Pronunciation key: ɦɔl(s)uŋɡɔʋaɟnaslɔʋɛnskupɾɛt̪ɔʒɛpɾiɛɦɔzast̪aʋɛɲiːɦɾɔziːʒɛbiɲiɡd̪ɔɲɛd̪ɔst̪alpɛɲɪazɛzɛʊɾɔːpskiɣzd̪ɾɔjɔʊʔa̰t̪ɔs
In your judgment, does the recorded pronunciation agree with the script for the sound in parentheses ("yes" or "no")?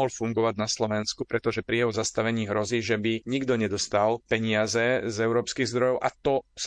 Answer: no